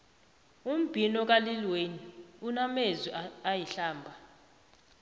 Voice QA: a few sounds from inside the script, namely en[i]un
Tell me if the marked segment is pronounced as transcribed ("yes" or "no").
yes